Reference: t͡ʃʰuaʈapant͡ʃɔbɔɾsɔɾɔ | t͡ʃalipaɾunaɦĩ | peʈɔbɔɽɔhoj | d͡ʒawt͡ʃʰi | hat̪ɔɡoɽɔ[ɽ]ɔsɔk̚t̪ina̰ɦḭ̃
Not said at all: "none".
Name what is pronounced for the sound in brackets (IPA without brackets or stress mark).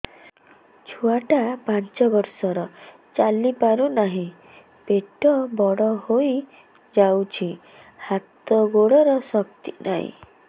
ɾ